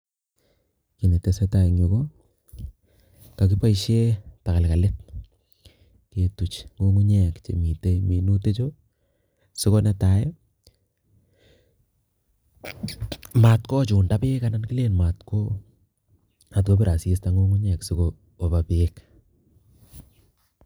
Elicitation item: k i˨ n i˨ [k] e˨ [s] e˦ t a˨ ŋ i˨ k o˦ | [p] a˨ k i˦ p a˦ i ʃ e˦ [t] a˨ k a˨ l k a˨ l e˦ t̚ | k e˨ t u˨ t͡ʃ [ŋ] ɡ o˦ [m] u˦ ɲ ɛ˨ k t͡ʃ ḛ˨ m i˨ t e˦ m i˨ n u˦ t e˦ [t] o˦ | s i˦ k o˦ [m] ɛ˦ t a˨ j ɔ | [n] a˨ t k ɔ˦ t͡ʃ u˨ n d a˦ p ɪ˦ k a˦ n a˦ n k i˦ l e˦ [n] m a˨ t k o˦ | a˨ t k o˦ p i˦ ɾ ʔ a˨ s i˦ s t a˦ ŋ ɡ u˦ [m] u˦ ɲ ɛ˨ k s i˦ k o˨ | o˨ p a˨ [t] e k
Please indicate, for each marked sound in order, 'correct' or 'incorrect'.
incorrect: t, correct, incorrect: k, correct, correct, incorrect: ŋ, incorrect: t͡ʃ, incorrect: n, incorrect: m, correct, incorrect: ŋ, incorrect: p

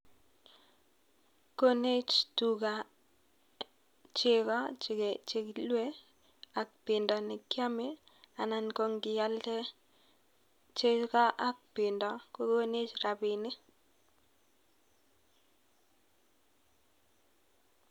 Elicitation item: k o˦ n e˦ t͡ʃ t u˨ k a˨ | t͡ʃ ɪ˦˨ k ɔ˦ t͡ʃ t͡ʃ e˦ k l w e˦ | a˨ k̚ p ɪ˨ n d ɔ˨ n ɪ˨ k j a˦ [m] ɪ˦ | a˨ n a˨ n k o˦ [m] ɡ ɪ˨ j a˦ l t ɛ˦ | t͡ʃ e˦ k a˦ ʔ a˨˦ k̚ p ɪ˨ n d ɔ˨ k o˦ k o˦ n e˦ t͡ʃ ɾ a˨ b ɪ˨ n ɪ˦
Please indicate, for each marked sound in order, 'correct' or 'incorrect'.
correct, incorrect: ŋ

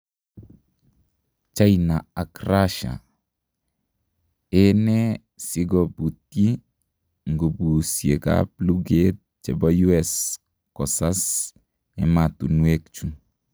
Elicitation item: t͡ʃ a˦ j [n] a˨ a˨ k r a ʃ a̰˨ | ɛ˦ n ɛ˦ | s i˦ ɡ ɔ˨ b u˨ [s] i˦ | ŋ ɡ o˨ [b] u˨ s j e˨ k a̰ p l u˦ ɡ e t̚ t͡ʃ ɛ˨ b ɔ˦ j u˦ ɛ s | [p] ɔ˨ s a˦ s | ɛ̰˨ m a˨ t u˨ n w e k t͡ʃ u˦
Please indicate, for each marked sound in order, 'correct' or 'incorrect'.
correct, incorrect: t, correct, incorrect: k

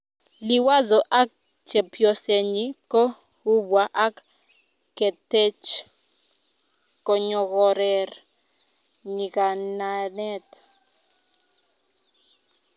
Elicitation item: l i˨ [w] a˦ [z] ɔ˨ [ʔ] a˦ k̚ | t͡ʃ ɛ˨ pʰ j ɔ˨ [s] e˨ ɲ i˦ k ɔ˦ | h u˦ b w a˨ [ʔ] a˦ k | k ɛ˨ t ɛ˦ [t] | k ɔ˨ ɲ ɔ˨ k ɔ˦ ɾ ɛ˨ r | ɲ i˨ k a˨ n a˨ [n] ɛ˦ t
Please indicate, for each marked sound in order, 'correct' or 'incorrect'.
correct, correct, correct, correct, correct, incorrect: t͡ʃ, correct

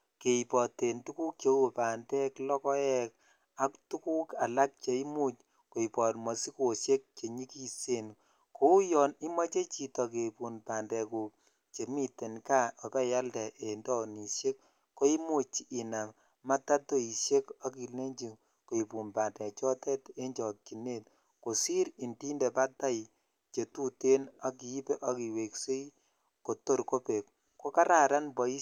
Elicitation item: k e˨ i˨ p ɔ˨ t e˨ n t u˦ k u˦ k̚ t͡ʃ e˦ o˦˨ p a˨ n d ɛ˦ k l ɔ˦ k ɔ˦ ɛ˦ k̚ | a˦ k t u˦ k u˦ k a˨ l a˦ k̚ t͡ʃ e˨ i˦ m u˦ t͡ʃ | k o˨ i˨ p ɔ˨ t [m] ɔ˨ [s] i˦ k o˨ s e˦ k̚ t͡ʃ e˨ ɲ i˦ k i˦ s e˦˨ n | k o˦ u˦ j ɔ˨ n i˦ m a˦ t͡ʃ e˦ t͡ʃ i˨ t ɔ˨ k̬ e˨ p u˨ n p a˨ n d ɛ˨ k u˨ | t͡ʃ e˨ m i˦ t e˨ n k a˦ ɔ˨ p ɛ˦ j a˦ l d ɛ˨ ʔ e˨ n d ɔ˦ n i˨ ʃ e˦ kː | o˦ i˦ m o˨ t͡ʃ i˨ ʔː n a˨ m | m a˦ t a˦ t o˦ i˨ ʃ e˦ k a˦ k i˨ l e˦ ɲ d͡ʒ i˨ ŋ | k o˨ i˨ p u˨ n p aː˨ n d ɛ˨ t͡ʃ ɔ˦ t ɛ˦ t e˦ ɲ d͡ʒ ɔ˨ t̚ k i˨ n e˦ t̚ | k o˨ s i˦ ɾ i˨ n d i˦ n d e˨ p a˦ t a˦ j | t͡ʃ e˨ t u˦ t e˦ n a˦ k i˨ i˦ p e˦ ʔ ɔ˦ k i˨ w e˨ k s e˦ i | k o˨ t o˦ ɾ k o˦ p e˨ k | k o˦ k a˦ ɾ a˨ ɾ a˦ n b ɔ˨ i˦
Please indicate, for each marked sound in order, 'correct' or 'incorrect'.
correct, correct

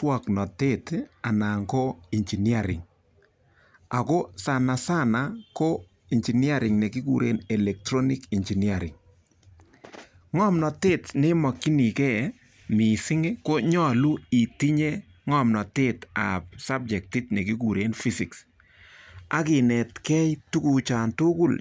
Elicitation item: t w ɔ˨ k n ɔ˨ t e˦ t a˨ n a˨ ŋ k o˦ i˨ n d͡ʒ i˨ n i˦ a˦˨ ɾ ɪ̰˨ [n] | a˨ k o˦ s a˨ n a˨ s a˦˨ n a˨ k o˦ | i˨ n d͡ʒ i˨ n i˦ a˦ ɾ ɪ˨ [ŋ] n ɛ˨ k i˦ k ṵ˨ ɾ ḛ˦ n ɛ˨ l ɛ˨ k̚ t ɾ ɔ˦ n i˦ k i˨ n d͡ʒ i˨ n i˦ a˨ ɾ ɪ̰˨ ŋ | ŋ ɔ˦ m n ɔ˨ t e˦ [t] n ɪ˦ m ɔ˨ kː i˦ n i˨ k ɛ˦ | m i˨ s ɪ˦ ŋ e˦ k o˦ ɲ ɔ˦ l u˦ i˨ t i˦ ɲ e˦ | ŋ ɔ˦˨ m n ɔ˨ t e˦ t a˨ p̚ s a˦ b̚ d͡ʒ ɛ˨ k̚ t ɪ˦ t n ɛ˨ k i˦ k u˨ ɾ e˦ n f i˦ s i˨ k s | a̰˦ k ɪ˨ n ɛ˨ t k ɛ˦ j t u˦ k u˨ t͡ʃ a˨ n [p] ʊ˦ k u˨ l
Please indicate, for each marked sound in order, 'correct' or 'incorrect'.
incorrect: ŋ, correct, correct, incorrect: t

